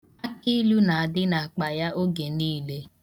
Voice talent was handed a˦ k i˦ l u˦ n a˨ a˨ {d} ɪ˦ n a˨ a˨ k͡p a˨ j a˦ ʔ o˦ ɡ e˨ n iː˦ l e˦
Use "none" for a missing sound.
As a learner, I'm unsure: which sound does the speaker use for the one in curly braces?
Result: d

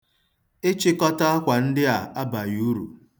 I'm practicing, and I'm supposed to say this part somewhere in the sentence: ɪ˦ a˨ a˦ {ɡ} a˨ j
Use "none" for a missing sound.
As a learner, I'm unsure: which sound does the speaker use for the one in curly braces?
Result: b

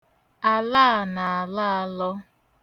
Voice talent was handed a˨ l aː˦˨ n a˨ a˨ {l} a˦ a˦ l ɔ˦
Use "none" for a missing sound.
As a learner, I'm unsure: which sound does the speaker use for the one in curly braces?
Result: l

